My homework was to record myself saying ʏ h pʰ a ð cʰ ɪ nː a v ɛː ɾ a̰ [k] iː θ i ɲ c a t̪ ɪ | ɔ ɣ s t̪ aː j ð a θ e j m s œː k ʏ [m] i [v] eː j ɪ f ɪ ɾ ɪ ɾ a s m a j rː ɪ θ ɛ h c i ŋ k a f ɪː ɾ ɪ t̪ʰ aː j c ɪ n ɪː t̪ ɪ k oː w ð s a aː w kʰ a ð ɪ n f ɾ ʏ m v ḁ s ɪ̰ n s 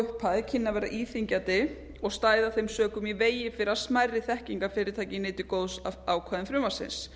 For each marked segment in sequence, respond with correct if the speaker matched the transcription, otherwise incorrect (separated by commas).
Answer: incorrect, correct, correct